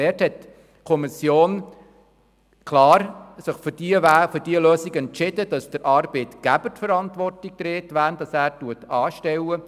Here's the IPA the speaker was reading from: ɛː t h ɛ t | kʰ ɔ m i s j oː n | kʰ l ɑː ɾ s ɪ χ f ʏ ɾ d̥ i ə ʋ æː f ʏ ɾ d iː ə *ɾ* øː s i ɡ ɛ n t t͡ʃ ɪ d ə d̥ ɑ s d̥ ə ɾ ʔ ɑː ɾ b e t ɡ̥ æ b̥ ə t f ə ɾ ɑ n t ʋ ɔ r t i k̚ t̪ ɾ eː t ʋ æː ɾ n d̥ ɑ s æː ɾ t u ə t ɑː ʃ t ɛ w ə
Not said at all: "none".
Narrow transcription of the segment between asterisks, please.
l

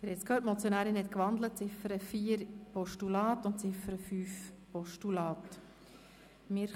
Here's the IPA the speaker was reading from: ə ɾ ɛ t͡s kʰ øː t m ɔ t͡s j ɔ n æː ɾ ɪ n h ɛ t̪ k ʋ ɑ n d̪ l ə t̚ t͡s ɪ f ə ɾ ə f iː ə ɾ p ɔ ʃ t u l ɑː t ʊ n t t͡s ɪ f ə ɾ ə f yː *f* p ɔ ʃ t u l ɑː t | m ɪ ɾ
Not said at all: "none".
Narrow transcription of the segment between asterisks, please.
f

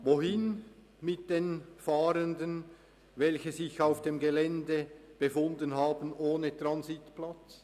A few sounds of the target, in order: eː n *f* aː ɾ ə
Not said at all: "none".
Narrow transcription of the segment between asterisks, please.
f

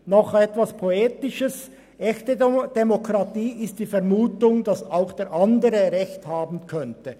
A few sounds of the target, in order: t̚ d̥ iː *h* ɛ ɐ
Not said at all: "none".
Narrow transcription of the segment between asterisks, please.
f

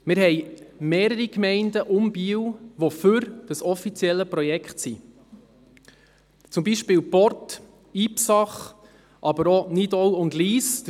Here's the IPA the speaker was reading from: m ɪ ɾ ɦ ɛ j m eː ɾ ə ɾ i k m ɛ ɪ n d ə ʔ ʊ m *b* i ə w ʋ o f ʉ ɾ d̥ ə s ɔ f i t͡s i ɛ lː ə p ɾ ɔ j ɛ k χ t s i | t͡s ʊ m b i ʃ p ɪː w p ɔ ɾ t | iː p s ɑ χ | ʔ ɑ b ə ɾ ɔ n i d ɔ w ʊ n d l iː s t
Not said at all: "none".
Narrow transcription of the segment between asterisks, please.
b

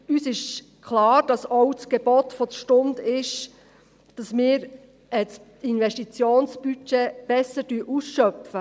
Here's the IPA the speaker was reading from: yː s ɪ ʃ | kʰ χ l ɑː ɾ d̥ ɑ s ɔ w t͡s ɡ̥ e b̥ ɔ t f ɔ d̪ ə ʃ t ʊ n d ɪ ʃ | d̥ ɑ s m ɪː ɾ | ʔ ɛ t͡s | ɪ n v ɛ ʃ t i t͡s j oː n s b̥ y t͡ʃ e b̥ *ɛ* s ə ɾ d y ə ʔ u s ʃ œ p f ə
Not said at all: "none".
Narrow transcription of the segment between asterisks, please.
ɛ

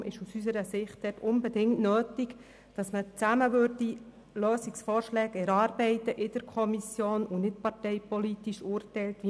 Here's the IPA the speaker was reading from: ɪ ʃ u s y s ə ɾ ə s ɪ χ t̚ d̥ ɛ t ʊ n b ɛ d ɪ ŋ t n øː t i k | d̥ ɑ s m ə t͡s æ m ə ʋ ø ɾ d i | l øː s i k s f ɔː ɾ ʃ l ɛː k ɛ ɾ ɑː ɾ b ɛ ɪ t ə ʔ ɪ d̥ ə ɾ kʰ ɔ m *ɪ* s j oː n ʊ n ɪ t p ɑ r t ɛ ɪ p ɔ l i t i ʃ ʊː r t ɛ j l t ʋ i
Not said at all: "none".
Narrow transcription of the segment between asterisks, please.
i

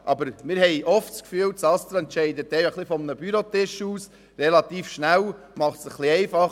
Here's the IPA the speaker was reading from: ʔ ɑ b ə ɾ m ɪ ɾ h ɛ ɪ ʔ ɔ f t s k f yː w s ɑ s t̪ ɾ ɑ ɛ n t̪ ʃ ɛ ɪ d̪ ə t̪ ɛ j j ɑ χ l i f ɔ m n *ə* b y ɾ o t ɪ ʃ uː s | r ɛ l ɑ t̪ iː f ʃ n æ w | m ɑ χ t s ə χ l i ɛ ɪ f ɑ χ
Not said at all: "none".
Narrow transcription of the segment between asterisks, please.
ə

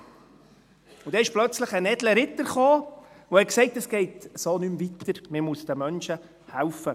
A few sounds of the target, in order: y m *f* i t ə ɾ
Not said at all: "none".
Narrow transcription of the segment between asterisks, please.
v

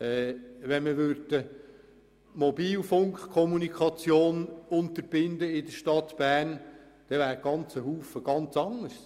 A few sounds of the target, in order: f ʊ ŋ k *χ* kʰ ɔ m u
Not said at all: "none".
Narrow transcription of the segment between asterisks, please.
χ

